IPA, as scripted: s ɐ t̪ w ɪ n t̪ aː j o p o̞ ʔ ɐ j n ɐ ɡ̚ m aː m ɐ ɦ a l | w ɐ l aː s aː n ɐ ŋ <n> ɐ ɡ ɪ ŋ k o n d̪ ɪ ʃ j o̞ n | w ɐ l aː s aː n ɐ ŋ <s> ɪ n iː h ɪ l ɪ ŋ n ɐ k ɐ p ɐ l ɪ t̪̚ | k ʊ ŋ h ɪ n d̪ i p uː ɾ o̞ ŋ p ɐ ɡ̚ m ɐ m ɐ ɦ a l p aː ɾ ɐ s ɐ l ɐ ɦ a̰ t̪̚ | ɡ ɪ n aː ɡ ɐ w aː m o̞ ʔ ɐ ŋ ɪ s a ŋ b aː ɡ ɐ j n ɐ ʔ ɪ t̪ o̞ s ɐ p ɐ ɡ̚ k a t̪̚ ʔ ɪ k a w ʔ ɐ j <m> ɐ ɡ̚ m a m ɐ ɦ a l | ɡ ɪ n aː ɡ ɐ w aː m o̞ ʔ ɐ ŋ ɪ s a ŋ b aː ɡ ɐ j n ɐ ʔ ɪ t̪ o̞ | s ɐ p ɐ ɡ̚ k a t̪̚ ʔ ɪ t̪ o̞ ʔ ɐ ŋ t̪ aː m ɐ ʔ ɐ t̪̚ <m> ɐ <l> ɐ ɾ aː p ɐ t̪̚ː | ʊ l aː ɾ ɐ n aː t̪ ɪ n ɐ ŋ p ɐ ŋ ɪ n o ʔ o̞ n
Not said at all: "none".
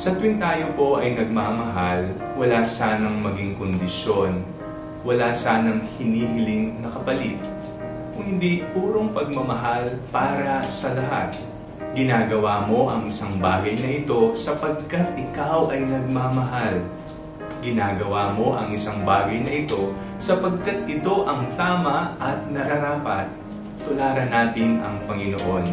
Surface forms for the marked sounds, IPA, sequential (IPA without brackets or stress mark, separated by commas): m, h, n, n, ɾ